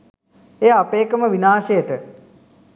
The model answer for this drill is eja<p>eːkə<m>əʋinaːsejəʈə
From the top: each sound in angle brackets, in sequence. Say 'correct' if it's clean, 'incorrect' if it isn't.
correct, correct

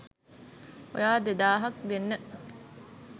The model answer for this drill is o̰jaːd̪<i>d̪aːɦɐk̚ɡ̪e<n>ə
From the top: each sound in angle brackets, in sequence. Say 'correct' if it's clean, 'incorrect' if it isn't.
incorrect: e, incorrect: nː

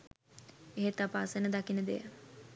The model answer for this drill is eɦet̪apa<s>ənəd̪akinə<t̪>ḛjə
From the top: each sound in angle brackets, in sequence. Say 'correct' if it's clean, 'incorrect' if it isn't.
correct, incorrect: d̪

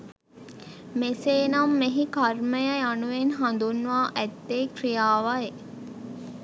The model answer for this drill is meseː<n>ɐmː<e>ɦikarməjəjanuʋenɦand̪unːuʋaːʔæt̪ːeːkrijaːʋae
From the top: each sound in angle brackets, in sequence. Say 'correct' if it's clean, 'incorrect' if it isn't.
correct, correct

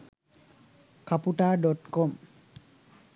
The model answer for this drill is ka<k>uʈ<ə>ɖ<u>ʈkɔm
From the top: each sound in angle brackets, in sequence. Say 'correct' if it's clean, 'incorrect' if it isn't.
incorrect: p, incorrect: a, incorrect: ɔ

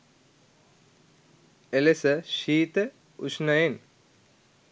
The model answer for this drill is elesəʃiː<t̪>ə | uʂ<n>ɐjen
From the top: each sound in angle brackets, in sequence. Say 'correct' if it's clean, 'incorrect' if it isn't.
correct, correct

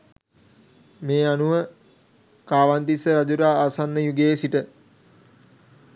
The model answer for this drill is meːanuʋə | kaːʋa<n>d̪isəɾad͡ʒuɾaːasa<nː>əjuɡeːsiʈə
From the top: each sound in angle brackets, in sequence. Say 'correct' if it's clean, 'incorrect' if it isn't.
correct, correct

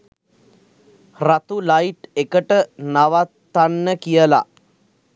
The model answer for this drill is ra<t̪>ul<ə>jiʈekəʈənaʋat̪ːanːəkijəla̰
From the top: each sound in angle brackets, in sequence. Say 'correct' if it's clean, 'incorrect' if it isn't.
correct, incorrect: a

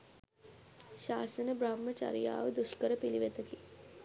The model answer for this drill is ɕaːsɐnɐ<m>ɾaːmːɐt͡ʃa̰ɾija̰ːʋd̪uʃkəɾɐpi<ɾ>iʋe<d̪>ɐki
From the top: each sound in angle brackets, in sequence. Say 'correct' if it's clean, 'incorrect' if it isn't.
incorrect: b, incorrect: l, incorrect: t̪

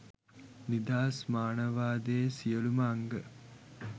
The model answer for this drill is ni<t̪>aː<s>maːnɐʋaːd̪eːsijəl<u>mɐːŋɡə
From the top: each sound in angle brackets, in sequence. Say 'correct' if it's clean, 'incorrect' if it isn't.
incorrect: d̪, correct, correct

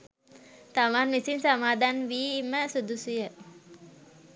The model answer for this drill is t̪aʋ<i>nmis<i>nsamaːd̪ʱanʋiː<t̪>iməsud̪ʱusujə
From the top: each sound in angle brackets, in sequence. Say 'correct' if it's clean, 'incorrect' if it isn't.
incorrect: a, correct, incorrect: none

